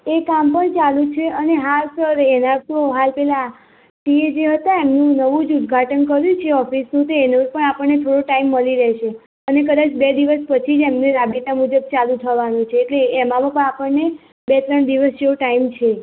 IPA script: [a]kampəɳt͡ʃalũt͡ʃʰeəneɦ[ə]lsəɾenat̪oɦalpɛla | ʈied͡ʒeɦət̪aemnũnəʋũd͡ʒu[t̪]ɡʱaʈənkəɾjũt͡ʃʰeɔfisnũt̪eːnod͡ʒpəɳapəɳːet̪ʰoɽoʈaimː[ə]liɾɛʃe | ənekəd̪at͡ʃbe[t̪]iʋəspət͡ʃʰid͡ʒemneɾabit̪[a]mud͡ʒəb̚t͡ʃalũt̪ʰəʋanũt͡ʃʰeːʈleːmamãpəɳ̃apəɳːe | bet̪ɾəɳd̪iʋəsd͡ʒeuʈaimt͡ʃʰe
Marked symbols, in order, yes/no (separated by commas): no, no, no, yes, no, yes